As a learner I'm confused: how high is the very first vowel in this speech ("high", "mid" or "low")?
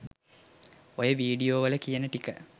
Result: mid